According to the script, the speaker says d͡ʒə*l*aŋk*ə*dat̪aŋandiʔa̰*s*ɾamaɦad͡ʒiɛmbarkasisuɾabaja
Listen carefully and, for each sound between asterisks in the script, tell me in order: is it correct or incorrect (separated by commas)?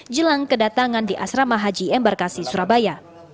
correct, correct, correct